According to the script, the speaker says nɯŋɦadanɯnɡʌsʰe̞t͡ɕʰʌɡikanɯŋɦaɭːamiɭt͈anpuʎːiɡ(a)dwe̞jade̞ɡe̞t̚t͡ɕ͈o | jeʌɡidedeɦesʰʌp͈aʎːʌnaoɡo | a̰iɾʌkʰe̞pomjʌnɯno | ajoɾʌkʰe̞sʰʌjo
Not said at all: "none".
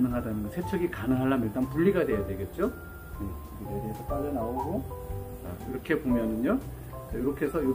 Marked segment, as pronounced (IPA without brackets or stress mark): a